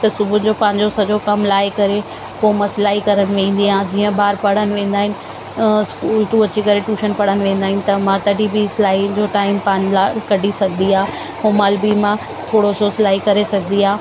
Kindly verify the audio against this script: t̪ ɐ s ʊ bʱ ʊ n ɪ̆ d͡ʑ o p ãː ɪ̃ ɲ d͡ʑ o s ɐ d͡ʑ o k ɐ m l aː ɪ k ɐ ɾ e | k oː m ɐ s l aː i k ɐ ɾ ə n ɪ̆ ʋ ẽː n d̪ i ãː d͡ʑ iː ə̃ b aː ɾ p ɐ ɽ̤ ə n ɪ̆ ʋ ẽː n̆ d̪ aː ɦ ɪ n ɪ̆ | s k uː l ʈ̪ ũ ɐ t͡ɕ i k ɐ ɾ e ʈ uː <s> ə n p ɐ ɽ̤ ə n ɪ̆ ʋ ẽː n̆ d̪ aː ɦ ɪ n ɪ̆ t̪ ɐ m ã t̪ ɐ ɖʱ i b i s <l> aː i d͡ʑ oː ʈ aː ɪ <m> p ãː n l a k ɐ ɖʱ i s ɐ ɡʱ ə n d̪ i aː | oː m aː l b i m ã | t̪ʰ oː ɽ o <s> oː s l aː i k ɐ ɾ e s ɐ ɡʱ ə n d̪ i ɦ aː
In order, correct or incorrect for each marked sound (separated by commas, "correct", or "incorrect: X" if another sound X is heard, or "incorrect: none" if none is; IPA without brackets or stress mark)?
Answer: incorrect: ʃ, correct, correct, correct